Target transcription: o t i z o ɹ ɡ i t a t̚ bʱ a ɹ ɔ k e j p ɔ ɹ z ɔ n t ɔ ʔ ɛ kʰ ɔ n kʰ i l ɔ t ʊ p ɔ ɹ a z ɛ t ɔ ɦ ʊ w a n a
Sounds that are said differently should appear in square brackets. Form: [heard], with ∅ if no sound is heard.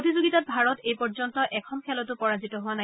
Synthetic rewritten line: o t i z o [∅] ɡ i t a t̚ bʱ a ɹ ɔ [t] e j p ɔ ɹ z ɔ n t ɔ ʔ ɛ kʰ ɔ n kʰ [ɛ] l ɔ t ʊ p ɔ ɹ a z [i] t ɔ ɦ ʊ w a n a